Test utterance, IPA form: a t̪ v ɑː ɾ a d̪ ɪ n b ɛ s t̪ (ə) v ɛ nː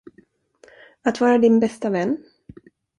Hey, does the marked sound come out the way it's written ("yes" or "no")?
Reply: no